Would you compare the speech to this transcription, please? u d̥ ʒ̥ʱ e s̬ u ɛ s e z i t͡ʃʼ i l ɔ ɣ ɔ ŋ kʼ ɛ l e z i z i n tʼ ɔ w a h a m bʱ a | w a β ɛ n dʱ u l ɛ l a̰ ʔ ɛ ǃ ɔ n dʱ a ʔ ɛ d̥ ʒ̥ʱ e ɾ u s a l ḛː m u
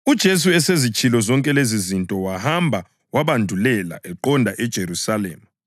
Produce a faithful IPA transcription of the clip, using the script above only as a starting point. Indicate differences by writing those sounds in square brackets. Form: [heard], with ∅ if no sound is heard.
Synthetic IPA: u d̥ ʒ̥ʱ e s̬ u ɛ s e z i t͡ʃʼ i l ɔ [z] ɔ ŋ kʼ ɛ l e z i z i n tʼ ɔ w a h a m bʱ a | w a β [a] n dʱ u l ɛ l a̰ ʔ ɛ ǃ ɔ n dʱ a ʔ ɛ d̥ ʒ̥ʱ e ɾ u s a l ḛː m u